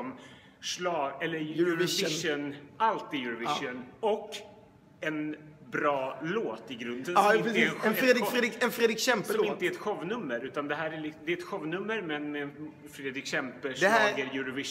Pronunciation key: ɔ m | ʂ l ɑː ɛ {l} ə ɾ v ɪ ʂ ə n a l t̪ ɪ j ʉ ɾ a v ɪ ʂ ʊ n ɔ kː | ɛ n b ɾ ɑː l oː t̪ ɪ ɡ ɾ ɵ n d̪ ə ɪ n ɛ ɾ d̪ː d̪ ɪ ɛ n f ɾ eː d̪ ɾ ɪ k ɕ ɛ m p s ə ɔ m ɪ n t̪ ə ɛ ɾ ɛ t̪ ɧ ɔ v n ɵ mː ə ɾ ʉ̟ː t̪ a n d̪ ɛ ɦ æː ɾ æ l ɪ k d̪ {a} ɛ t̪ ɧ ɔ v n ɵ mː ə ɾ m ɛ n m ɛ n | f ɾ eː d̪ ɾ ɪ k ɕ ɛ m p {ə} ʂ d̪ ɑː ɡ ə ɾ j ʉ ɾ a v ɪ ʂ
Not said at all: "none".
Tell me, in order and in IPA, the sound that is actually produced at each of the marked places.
lː, ɛ, ə

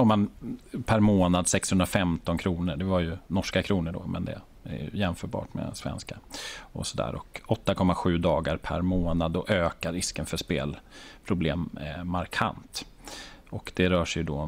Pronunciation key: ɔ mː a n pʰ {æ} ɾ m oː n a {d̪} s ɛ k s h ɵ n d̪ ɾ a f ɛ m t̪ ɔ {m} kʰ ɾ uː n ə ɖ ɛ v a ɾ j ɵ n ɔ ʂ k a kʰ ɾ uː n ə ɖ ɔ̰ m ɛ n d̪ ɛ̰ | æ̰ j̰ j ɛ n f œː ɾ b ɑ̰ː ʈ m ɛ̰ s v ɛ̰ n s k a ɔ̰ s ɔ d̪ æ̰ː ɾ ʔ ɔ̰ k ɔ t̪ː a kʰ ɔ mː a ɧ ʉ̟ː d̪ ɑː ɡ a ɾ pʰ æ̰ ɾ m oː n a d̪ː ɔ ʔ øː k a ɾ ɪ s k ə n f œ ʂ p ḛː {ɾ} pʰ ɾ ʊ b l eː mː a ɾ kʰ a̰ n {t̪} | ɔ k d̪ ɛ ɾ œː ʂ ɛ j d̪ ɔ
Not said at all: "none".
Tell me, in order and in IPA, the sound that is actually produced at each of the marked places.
æ, d̪, n, l, t̪

